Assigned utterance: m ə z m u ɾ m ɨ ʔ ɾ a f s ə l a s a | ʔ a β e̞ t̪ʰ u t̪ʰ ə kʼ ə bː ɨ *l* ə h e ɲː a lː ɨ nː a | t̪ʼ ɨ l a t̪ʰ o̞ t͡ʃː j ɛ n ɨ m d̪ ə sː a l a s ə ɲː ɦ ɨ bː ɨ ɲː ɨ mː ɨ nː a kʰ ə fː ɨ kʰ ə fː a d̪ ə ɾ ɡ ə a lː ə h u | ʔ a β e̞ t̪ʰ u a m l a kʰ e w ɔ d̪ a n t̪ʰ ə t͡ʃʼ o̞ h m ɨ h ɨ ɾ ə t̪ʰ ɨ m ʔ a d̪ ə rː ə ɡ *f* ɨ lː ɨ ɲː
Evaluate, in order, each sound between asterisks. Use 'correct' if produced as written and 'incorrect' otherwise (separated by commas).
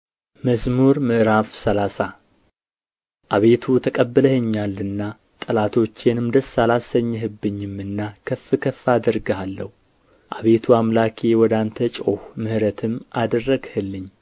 correct, incorrect